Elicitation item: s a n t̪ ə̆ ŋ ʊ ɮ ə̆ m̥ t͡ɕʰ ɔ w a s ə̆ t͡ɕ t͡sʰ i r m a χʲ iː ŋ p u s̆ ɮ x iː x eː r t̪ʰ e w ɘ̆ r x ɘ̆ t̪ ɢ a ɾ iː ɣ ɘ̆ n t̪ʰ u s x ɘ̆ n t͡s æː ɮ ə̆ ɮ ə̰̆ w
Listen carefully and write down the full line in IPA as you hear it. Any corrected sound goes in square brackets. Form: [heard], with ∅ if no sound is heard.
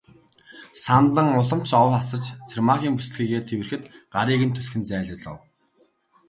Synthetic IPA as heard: s a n t̪ ə̆ ŋ ʊ ɮ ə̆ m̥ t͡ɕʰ ɔ w a s ə̆ t͡ɕ t͡sʰ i r m a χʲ iː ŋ p u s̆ ɮ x iː [ɣ] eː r t̪ʰ e w ɘ̆ r x ɘ̆ t̪ ɢ a ɾ iː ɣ ɘ̆ n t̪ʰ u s x ɘ̆ n t͡s æː ɮ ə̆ ɮ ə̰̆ w